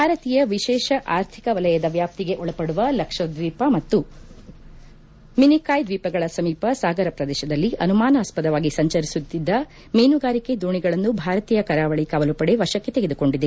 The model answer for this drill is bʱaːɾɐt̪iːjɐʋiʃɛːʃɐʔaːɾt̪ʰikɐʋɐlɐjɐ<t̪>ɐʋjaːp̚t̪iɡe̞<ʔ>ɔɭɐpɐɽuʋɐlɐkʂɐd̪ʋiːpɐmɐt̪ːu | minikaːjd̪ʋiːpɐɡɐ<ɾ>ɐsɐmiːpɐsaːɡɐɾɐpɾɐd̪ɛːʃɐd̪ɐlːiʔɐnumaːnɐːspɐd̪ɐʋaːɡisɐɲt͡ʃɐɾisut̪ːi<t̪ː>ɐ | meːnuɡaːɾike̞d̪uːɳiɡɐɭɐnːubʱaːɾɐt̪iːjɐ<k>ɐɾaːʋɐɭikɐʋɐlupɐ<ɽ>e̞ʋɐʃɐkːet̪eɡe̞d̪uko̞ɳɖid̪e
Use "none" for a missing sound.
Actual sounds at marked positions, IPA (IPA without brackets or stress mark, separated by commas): d̪, ʔ, ɭ, d̪ː, k, ɽ